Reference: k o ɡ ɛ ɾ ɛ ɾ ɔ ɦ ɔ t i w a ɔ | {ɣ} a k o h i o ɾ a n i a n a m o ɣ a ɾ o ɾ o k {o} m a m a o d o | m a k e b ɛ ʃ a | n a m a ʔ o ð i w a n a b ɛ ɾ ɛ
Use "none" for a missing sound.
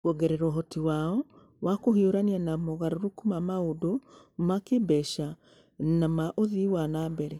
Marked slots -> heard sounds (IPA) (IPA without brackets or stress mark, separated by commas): w, u